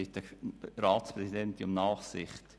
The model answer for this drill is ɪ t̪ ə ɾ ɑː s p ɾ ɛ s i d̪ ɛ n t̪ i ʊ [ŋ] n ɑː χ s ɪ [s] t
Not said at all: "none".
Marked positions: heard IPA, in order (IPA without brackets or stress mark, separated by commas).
m, χ